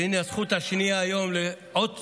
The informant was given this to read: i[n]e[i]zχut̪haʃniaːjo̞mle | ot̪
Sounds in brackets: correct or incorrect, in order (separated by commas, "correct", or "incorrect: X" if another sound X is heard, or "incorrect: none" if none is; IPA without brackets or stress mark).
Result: correct, incorrect: a